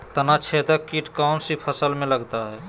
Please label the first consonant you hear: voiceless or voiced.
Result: voiceless